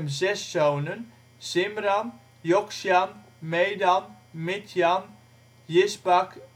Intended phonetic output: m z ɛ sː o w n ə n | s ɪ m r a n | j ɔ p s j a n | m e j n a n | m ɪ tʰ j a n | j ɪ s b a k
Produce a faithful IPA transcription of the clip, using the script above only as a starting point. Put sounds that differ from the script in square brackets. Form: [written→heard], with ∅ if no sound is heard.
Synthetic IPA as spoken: m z ɛ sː o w n ə n | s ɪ m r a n | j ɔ [p→k] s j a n | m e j [n→d] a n | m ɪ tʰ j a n | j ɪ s b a k

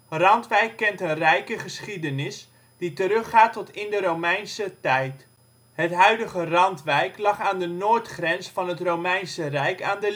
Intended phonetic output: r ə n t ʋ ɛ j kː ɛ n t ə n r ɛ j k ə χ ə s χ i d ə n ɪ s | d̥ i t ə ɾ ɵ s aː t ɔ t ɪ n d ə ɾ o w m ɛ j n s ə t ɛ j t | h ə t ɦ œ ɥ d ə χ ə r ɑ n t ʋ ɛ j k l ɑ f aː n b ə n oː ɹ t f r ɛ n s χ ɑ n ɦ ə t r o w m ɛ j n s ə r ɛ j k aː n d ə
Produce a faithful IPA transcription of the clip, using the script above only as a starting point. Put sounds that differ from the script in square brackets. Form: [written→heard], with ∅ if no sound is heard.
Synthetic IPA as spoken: r [ə→ɑ] n t ʋ ɛ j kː ɛ n t ə n r ɛ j k ə χ ə s χ i d ə n ɪ s | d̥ i t ə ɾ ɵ [s→χ] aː t ɔ t ɪ n d ə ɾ o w m ɛ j n s ə t ɛ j t | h ə t ɦ œ ɥ d ə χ ə r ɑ n t ʋ ɛ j k l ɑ [f→χ] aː n [b→d] ə n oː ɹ t [f→χ] r ɛ n s [χ→f] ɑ n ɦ ə t r o w m ɛ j n s ə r ɛ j k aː n d ə

